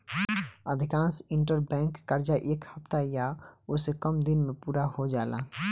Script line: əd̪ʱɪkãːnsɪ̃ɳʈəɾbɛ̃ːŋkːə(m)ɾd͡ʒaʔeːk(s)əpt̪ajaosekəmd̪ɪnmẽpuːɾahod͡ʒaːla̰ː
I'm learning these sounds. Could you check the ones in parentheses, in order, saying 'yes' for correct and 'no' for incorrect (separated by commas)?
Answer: no, no